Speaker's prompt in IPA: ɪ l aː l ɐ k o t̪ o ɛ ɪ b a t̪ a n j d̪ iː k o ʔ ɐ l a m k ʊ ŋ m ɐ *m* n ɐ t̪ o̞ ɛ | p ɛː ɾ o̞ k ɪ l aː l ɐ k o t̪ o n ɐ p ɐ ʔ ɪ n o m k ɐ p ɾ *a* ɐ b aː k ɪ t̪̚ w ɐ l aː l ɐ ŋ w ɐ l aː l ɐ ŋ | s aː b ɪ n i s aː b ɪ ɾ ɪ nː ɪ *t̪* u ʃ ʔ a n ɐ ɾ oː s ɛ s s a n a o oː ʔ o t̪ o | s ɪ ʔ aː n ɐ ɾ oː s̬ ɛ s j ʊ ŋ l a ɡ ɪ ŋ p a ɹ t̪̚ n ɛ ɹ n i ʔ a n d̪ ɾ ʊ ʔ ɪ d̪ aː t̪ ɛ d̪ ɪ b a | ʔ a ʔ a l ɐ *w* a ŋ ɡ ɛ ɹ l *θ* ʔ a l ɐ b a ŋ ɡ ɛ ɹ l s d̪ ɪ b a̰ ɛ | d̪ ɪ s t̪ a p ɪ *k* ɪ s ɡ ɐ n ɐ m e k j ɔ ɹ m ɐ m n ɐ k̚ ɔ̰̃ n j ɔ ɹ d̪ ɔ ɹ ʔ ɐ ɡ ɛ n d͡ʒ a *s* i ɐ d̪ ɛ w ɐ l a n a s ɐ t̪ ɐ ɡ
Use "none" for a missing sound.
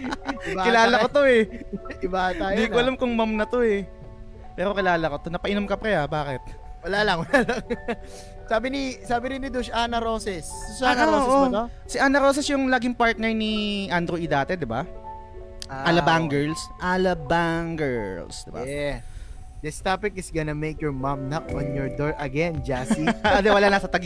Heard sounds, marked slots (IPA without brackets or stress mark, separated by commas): m, ɛ, d̪, b, s, k, s